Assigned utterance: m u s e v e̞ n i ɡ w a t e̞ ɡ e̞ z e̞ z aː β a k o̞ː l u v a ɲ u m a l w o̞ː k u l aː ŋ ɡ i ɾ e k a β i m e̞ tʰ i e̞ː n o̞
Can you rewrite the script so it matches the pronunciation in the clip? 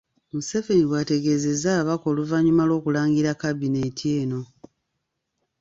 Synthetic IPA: m u s e v e̞ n i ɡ w a t e̞ ɡ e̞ z e̞ z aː β a k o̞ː l u v a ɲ u m a l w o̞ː k u l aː ŋ ɡ i ɾ a k a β i n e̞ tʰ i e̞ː n o̞